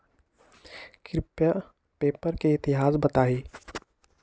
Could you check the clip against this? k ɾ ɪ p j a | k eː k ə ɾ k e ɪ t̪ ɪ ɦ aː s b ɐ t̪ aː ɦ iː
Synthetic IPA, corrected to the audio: k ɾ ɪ p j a | p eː p ə ɾ k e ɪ t̪ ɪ ɦ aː s b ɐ t̪ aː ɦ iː